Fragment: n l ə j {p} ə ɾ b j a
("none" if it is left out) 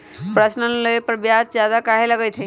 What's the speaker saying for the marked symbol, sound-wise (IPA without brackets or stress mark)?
p